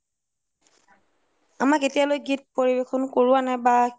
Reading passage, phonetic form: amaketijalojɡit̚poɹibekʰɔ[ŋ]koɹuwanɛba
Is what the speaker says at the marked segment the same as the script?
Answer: no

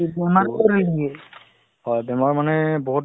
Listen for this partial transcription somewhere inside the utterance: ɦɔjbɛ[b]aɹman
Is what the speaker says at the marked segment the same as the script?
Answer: no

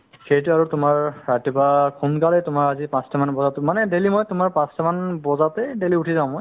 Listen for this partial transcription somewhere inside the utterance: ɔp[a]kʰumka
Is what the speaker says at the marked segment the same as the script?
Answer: yes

